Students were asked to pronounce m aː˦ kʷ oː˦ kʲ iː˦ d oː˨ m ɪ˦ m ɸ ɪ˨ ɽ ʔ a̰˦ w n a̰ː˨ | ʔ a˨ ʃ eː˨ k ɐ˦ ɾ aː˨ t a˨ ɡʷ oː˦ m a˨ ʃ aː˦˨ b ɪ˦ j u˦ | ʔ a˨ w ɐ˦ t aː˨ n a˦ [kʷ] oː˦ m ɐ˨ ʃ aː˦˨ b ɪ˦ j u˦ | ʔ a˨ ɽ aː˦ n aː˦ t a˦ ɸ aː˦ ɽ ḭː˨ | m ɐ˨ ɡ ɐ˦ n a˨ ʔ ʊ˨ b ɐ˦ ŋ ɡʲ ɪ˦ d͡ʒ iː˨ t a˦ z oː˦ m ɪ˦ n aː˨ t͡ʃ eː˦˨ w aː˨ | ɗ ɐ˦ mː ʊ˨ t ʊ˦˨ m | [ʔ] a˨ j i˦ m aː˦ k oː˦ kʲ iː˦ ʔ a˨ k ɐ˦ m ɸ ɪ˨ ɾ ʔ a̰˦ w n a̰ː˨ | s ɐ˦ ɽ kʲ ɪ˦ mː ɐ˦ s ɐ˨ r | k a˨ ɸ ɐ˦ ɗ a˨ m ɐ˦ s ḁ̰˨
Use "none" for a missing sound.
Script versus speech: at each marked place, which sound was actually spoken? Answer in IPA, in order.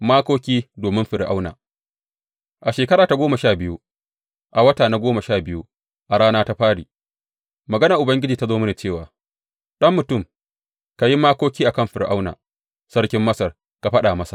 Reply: ɡʷ, k

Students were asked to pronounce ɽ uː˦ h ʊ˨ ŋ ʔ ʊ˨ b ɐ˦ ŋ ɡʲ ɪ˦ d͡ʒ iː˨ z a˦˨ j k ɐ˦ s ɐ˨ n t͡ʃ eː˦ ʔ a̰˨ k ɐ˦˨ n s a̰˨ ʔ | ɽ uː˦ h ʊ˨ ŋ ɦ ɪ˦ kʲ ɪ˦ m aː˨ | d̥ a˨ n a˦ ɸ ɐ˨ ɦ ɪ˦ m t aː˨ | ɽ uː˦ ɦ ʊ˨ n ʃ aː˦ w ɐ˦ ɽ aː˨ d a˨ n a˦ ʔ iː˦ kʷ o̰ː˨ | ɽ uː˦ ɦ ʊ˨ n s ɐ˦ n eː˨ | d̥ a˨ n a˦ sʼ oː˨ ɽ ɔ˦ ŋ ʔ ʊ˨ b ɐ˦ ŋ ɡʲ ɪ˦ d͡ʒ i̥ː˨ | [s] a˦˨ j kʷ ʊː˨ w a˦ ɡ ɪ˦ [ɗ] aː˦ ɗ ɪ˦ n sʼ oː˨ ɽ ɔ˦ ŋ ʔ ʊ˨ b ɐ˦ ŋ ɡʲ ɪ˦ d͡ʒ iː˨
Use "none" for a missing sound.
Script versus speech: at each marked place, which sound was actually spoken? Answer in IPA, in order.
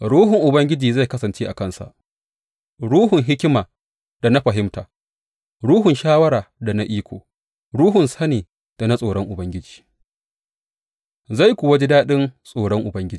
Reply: z, d

